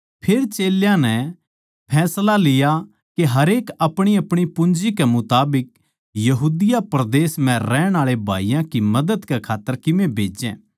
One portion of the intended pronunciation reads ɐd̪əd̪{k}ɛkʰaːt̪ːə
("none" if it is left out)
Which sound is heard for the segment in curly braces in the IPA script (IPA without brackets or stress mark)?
k